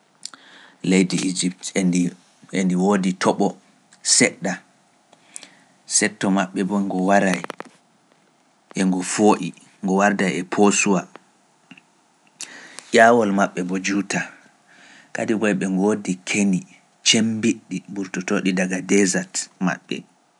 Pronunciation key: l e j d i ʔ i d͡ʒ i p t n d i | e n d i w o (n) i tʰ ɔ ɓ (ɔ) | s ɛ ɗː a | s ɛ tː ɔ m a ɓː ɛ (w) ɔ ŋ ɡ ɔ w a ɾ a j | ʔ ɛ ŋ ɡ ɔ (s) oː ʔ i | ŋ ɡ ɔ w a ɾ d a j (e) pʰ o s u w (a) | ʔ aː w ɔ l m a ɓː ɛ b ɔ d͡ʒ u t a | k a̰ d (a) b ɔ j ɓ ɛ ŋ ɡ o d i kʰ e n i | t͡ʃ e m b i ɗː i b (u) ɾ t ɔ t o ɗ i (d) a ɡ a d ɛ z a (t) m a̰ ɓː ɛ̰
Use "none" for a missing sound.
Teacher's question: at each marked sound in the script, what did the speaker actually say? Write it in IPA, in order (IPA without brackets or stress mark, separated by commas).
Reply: d, ɔ, b, f, ɛ, a, i, u, d, t